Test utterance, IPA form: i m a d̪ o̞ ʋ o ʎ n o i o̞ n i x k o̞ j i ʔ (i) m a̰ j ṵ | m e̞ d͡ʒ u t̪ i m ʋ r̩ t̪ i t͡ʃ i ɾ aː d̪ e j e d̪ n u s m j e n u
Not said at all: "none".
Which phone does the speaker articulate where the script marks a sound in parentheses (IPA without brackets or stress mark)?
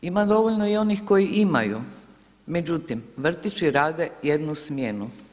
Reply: i